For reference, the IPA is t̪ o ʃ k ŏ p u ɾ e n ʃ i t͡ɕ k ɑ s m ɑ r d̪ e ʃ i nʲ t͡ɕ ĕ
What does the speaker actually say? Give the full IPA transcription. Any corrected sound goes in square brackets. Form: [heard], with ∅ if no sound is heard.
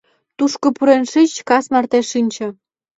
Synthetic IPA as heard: t̪ [u] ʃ k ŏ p u ɾ e n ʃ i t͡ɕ k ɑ s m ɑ r [t̪] e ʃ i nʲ t͡ɕ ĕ